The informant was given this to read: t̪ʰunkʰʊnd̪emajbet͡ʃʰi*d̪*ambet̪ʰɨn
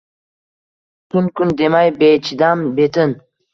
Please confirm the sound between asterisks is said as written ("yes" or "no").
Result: yes